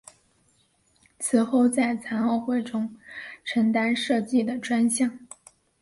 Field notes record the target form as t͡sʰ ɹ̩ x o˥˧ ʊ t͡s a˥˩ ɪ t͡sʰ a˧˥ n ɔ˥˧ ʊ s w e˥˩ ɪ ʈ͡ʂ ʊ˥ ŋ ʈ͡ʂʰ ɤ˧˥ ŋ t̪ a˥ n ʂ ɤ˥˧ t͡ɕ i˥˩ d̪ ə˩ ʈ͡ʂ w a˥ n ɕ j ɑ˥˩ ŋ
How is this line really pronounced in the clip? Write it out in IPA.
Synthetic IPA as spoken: t͡sʰ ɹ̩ x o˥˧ ʊ t͡s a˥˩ ɪ t͡sʰ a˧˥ n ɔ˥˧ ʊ x w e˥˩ ɪ ʈ͡ʂ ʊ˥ ŋ ʈ͡ʂʰ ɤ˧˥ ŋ t̪ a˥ n ʂ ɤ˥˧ t͡ɕ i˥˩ d̪ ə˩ ʈ͡ʂ w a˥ n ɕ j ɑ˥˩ ŋ

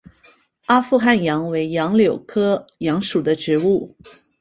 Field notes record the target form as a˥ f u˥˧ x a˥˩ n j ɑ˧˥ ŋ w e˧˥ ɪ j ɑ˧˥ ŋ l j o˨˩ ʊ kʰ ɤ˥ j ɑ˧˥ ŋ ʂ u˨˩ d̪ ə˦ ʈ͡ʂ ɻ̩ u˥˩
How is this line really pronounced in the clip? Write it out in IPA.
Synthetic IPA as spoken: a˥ f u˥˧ x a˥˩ n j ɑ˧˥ ŋ w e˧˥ ɪ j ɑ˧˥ ŋ l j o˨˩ ʊ kʰ ɤ˥ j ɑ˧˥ ŋ ʂ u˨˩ d̪ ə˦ ʈ͡ʂ ɻ̩ u˥˩

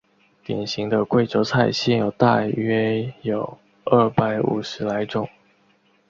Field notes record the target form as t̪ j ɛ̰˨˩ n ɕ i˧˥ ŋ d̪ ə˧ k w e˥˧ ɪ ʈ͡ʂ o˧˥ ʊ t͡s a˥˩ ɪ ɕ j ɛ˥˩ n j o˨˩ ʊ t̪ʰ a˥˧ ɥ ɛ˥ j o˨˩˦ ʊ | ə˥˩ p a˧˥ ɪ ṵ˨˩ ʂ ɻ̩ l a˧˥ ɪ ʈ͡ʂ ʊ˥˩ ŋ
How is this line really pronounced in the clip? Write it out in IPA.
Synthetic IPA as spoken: t̪ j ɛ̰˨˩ n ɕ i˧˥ ŋ d̪ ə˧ k w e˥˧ ɪ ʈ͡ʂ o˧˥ ʊ t͡sʰ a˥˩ ɪ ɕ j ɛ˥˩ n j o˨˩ ʊ t̪ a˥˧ ɥ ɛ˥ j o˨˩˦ ʊ | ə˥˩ p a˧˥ ɪ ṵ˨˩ ʂ ɻ̩ l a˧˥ ɪ ʈ͡ʂ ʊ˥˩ ŋ

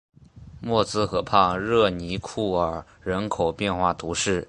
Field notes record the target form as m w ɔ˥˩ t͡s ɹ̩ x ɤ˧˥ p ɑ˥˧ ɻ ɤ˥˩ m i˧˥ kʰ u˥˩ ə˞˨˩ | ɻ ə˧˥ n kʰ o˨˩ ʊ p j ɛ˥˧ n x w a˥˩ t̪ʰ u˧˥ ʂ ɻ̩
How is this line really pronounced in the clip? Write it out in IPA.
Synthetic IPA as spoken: m w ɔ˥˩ t͡s ɹ̩ x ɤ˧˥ pʰ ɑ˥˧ ɻ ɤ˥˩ n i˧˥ kʰ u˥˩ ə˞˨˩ | ɻ ə˧˥ n kʰ o˨˩ ʊ p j ɛ˥˧ n x w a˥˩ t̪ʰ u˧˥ ʂ ɻ̩

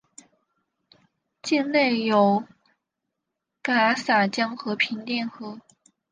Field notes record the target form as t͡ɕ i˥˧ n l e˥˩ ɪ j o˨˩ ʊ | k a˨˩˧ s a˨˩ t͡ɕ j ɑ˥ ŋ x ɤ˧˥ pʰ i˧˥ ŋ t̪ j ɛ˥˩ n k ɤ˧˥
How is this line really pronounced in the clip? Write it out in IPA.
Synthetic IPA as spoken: t͡ɕ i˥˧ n l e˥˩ ɪ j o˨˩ ʊ | k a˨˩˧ s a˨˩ t͡ɕ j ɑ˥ ŋ x ɤ˧˥ pʰ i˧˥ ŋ t̪ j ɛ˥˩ n x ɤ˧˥

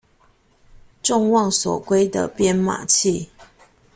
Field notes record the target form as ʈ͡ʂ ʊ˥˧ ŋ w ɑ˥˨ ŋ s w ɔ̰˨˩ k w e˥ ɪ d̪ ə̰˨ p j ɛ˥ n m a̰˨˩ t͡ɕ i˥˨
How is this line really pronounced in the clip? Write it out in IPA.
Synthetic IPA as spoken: ʈ͡ʂ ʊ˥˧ ŋ w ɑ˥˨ ŋ s w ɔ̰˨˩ k w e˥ ɪ d̪ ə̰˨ p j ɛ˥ n m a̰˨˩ t͡ɕʰ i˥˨

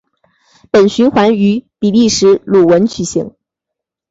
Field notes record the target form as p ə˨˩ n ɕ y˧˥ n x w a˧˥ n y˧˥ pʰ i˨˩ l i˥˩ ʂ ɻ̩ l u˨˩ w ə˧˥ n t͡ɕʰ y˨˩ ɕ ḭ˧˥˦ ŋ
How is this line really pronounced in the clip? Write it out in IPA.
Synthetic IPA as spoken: p ə˨˩ n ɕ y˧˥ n x w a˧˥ n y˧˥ p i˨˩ l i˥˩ ʂ ɻ̩ l u˨˩ w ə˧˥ n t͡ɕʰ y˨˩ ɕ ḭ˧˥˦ ŋ

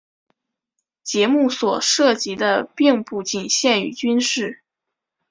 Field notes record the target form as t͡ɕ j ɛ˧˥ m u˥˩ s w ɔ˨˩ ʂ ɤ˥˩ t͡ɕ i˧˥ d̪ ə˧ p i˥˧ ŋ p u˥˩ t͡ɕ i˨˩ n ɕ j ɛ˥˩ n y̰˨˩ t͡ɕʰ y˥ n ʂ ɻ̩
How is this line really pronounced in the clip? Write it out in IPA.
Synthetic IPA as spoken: t͡ɕ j ɛ˧˥ m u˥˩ s w ɔ˨˩ ʂ ɤ˥˩ t͡ɕ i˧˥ d̪ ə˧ p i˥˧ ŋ p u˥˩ t͡ɕ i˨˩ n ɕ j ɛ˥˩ n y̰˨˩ t͡ɕ y˥ n ʂ ɻ̩

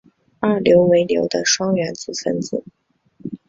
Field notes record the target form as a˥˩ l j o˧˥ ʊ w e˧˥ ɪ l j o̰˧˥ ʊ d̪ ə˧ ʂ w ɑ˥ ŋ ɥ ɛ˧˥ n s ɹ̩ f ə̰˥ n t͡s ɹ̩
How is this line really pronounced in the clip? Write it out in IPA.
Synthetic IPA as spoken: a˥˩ l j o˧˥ ʊ w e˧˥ ɪ l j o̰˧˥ ʊ d̪ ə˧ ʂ w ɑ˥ ŋ ɥ ɛ˧˥ n t͡s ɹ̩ f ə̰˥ n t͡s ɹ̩

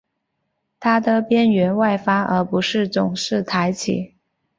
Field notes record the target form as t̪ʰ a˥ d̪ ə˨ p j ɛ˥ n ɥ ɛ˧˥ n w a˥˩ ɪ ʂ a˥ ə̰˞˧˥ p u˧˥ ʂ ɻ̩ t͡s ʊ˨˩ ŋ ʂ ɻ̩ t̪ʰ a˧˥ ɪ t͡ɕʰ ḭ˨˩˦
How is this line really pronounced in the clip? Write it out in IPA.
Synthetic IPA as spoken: t̪ʰ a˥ d̪ ə˨ p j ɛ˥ n ɥ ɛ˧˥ n w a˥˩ ɪ f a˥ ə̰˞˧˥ p u˧˥ ʂ ɻ̩ t͡s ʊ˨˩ ŋ ʂ ɻ̩ t̪ʰ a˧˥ ɪ t͡ɕʰ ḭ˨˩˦

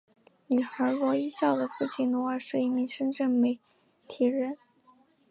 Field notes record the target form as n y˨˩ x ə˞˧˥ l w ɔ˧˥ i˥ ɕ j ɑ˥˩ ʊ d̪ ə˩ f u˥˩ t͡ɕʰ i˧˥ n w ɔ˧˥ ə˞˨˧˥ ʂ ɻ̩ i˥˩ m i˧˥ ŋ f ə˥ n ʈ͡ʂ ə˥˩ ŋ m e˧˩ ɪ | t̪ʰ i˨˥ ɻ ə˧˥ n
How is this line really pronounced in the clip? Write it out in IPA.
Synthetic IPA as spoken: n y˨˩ x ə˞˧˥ l w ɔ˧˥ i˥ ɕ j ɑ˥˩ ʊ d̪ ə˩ f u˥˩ t͡ɕʰ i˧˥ n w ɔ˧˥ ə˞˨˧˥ ʂ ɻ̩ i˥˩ m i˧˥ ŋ ʂ ə˥ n ʈ͡ʂ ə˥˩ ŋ m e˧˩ ɪ | t̪ʰ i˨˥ ɻ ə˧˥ n

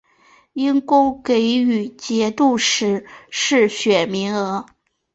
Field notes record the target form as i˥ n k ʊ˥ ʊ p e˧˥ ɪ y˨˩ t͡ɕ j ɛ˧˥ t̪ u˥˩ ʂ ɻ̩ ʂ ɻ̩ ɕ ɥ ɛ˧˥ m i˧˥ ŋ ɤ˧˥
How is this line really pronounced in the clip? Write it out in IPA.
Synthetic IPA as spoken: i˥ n k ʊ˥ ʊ k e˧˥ ɪ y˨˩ t͡ɕ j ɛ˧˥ t̪ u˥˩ ʂ ɻ̩ ʂ ɻ̩ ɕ ɥ ɛ˨˩ m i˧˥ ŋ ɤ˧˥

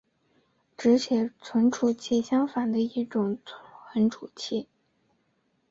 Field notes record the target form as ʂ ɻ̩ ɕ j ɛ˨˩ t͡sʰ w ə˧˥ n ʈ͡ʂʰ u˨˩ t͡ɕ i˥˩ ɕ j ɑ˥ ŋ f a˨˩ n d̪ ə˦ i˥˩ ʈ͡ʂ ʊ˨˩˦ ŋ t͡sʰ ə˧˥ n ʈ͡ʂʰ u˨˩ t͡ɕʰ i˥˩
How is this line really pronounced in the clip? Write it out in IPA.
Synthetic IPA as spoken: ʈ͡ʂ ɻ̩ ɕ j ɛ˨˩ t͡sʰ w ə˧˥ n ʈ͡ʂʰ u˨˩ t͡ɕʰ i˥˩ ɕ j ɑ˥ ŋ f a˨˩ n d̪ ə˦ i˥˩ ʈ͡ʂ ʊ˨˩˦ ŋ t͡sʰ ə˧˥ n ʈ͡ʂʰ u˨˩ t͡ɕʰ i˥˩

